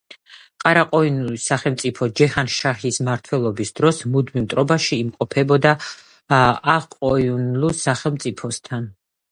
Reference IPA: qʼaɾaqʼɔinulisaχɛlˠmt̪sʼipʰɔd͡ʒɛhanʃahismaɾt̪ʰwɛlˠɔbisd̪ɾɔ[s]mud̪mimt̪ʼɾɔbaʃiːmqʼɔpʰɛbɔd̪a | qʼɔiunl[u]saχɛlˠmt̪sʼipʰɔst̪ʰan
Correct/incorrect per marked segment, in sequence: correct, correct

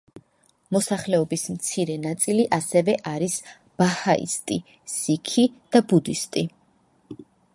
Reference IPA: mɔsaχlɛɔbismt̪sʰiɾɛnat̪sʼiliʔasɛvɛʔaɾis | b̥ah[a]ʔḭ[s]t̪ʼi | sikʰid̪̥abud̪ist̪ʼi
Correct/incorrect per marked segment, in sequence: correct, correct

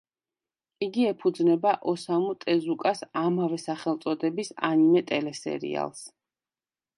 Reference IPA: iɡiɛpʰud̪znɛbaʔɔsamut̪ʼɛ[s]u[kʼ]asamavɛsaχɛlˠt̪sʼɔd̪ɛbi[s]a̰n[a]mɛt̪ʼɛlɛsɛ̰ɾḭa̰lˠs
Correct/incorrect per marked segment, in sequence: incorrect, correct, correct, incorrect

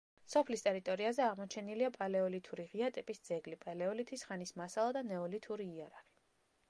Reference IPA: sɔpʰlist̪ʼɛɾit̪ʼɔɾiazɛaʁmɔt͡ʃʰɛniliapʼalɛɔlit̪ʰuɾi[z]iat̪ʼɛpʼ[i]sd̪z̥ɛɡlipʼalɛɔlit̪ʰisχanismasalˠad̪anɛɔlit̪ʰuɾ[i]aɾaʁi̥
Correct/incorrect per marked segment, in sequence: incorrect, correct, incorrect

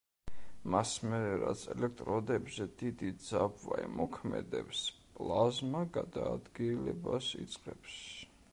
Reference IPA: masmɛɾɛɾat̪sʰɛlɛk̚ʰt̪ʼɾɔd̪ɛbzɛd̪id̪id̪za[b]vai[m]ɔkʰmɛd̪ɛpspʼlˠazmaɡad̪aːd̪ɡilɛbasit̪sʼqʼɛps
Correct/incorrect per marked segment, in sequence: correct, correct

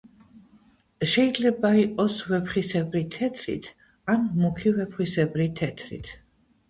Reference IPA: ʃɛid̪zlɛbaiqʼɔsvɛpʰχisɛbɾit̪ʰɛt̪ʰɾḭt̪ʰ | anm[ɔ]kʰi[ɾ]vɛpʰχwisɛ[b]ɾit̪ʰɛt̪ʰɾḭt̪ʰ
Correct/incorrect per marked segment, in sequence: incorrect, incorrect, correct

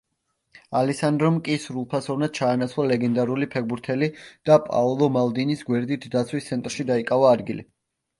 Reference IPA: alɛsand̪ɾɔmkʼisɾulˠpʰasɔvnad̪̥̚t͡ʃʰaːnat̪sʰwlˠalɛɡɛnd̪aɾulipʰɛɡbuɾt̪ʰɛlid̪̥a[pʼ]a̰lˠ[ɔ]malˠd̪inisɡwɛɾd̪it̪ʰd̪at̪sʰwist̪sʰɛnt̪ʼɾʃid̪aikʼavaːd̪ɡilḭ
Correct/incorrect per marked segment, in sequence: correct, correct

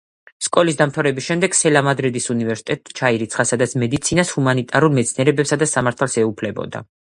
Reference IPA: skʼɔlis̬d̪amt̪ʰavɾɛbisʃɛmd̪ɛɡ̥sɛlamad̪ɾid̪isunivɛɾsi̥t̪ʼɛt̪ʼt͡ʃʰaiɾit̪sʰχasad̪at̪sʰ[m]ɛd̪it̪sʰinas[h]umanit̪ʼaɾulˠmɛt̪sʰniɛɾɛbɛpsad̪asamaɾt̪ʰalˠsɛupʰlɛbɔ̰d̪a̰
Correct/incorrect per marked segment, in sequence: correct, correct

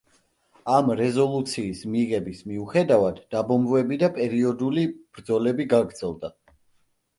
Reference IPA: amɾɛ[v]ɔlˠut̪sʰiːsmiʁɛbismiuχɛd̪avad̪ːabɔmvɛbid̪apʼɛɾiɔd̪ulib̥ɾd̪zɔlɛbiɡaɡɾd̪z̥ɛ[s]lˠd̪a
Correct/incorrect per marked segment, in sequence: incorrect, incorrect

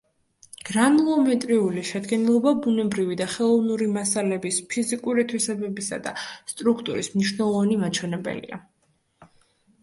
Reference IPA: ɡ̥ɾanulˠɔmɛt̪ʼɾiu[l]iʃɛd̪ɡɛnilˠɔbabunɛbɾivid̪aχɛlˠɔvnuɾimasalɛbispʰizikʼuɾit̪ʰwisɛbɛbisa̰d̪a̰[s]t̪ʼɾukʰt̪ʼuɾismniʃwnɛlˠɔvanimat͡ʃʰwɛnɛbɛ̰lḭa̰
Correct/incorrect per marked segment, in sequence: correct, correct

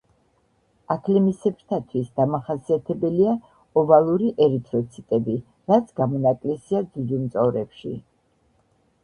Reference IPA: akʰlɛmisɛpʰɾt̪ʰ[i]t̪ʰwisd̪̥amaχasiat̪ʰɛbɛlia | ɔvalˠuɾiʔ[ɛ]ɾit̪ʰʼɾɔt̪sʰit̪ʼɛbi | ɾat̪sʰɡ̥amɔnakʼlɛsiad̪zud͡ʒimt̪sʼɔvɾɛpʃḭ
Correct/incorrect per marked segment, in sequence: incorrect, correct

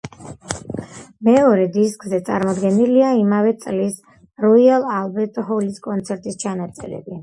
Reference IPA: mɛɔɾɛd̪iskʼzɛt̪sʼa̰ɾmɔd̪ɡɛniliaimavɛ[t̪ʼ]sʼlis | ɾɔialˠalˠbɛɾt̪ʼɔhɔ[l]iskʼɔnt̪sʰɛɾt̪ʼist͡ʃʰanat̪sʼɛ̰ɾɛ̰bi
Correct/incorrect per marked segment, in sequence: incorrect, correct

